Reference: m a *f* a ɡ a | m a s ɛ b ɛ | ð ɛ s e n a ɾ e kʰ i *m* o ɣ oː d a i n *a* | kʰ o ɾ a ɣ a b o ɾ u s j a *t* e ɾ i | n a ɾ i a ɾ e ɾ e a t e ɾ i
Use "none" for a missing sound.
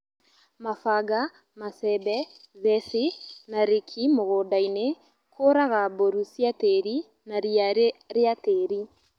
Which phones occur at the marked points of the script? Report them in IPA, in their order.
f, m, e, t

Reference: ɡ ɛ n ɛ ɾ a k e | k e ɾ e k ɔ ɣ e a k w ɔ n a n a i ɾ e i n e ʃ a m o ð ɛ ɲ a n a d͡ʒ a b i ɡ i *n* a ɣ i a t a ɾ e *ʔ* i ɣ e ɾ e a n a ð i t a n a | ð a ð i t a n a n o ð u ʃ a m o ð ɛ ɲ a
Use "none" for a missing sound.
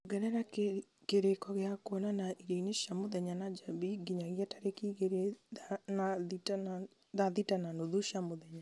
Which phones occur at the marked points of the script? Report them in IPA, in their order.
ɲ, k

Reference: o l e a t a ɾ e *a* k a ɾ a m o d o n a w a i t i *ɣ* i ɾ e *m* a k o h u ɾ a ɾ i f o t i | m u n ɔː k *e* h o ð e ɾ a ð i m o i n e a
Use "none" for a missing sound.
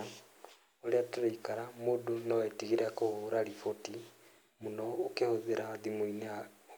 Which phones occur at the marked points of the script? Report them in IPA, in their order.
i, ɣ, none, e

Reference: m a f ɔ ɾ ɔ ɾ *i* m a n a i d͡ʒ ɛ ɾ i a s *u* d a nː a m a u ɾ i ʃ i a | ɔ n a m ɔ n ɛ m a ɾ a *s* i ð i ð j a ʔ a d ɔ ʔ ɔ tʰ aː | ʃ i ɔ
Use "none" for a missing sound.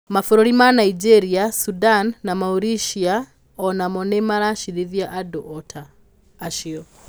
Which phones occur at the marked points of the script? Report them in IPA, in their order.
i, u, ʃ

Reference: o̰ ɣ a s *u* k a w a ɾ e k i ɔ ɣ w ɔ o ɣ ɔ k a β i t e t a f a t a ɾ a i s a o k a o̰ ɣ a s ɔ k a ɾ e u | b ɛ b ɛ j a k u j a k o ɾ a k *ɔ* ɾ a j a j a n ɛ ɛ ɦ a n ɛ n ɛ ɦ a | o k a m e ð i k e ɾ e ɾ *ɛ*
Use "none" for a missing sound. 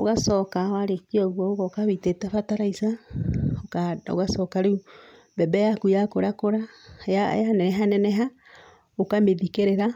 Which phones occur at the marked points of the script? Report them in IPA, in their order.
ɔ, o, a

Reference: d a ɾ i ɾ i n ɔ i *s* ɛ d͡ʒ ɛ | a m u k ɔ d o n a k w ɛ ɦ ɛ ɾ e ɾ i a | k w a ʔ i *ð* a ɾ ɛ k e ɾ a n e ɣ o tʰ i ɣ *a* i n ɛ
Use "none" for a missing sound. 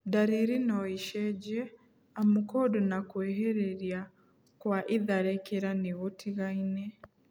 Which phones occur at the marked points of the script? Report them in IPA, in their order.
ʃ, ð, a

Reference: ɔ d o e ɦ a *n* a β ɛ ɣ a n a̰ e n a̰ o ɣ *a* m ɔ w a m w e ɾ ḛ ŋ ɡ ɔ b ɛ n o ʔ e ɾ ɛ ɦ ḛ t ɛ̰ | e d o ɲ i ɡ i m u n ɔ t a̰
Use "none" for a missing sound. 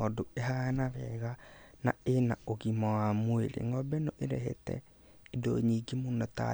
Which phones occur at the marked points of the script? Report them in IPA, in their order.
n, i

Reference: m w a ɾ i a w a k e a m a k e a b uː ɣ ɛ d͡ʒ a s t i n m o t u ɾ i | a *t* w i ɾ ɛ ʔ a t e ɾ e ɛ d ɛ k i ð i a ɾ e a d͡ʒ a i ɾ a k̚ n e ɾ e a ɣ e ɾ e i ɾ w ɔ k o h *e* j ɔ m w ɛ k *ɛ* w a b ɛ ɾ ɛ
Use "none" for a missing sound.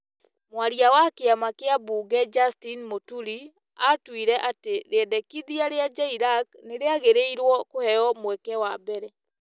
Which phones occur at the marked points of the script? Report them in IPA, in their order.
t, ɛ, ɛ

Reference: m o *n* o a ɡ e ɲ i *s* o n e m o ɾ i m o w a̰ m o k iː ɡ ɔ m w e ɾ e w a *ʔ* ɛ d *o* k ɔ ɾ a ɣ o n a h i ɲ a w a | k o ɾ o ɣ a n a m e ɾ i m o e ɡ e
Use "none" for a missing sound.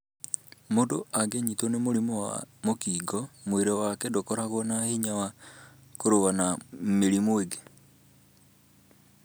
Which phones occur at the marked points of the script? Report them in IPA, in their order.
d, t, k, o

